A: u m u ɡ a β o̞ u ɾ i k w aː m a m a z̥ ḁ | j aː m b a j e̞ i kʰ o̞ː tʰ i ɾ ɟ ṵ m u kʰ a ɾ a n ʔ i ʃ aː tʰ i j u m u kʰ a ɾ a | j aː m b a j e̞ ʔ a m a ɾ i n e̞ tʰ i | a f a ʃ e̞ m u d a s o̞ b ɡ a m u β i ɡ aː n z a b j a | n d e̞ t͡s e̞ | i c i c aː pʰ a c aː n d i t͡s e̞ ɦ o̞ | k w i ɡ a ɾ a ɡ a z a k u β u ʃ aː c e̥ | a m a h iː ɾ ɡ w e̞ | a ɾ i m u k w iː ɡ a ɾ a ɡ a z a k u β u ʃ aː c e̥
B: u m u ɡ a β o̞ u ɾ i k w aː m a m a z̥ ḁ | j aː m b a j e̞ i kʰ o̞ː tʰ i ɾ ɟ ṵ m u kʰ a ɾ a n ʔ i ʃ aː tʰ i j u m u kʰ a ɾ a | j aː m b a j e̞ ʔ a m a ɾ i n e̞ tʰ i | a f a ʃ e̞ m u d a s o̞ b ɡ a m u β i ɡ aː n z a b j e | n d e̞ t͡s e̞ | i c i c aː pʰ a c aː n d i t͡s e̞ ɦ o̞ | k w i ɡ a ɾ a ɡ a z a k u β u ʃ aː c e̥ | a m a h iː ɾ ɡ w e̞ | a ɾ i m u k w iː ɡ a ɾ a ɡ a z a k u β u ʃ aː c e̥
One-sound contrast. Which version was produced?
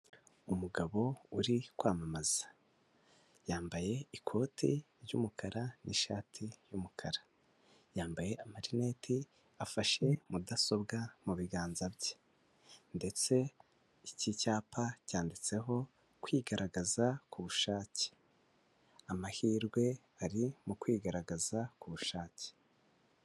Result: B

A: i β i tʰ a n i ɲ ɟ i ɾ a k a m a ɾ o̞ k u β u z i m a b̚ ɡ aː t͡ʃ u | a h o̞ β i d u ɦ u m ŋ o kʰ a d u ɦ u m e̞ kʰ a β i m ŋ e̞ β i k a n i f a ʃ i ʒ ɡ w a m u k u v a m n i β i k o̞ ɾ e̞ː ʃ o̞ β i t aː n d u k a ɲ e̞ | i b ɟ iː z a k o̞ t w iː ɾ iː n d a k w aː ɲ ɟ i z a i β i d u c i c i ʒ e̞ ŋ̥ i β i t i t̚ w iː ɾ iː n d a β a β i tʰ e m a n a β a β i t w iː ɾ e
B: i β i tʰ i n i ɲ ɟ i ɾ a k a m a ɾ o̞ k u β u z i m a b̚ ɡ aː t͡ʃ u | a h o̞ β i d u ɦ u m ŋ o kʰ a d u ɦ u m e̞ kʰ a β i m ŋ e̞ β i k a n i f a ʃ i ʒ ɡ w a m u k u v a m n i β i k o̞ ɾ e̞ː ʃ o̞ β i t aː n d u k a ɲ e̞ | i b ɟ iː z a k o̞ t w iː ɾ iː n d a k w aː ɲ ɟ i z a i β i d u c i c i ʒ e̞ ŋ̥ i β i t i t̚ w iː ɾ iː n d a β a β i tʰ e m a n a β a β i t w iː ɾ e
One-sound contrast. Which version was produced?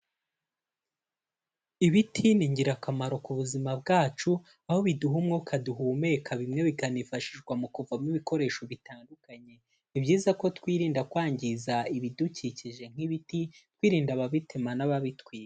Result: B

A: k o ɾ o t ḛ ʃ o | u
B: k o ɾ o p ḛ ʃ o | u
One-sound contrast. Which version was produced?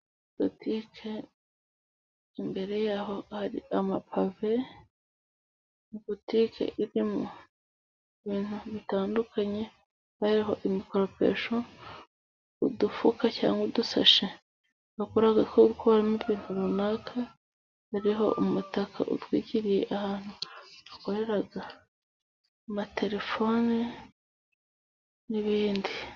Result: B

